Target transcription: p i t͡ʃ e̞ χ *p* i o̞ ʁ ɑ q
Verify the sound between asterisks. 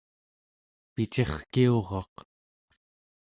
incorrect: k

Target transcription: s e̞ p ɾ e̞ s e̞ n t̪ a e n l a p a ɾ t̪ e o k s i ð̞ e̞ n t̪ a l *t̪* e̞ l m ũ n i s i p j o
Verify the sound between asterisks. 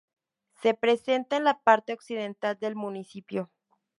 incorrect: d̪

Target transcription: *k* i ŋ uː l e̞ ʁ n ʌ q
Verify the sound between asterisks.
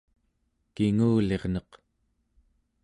correct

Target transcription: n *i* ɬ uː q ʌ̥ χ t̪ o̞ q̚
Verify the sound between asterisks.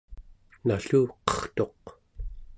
incorrect: a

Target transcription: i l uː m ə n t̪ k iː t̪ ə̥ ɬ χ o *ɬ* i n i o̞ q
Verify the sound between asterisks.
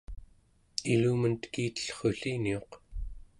correct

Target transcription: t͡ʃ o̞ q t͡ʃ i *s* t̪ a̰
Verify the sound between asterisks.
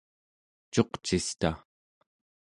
correct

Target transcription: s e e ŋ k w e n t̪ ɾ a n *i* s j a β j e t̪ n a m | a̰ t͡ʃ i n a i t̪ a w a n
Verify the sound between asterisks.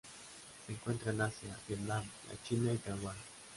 incorrect: a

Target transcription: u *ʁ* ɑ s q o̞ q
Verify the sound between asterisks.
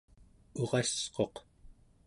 correct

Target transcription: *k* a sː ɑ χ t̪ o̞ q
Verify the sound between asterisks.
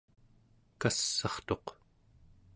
correct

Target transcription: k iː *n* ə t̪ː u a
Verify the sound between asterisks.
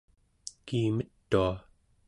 incorrect: m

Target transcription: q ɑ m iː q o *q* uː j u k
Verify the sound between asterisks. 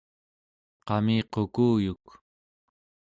incorrect: k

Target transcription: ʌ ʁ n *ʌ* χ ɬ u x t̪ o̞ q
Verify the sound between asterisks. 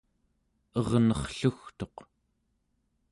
correct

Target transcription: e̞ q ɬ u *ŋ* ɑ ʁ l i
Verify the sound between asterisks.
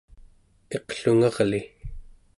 correct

